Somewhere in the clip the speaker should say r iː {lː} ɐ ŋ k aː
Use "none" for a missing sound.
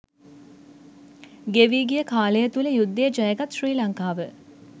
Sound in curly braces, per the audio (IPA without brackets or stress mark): l